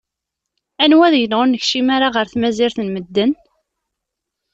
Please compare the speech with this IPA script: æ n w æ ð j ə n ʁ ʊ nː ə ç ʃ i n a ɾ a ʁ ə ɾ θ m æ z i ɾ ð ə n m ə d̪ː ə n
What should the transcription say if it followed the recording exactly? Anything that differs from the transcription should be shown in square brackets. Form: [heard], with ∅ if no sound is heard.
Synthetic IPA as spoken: æ n w æ ð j ə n ʁ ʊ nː ə ç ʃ i [m] a ɾ a ʁ ə ɾ θ m æ z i ɾ [θ] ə n m ə d̪ː ə n